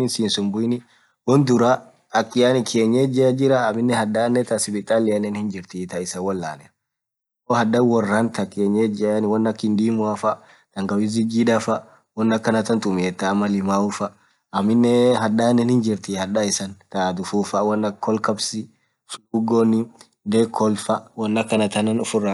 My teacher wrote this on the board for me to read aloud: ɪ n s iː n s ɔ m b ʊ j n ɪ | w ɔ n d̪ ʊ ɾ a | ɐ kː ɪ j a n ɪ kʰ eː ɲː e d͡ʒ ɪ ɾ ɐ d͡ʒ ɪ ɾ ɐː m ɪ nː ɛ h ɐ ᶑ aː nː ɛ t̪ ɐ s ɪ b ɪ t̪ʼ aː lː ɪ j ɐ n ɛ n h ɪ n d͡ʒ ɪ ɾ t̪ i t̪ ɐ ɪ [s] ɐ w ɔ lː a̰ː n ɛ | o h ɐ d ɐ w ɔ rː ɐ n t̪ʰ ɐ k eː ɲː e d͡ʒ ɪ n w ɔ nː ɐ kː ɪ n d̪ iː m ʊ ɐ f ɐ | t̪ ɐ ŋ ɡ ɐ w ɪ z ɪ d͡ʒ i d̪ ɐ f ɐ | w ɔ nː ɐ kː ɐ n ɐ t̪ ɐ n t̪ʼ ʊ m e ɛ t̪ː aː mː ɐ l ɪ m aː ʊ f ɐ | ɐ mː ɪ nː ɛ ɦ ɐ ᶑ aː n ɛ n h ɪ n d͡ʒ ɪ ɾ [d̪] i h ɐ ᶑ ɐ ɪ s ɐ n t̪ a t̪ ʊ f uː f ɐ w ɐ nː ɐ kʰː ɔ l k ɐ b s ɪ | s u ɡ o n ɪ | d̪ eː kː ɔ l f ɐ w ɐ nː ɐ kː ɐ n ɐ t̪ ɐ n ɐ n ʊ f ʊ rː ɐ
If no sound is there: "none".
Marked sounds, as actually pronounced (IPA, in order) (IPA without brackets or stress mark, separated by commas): s, t̪